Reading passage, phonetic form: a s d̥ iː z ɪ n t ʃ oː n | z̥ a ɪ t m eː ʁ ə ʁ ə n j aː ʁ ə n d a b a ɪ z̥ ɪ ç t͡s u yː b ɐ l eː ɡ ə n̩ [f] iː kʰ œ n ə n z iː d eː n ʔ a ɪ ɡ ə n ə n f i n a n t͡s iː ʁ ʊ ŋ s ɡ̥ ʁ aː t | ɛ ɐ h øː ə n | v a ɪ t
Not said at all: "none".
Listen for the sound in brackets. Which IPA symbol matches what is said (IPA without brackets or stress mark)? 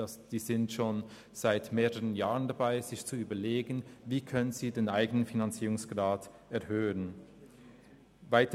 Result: v